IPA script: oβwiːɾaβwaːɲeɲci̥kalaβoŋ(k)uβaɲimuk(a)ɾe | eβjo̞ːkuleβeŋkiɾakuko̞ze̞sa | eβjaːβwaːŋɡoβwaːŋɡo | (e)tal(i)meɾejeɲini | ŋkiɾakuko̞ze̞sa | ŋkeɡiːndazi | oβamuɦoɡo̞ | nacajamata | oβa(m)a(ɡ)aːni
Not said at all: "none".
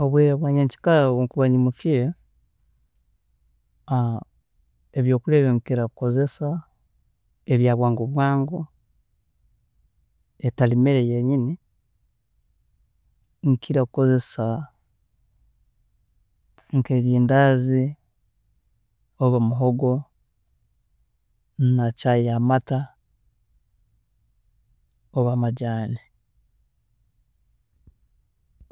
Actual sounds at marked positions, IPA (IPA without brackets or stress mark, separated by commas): k, i, e, i, m, ɟ